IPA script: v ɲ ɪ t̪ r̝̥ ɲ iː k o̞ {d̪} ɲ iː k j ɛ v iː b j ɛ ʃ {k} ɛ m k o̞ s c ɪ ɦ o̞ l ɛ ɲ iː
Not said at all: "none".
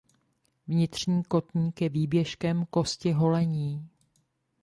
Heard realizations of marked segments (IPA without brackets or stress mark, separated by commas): t̪, k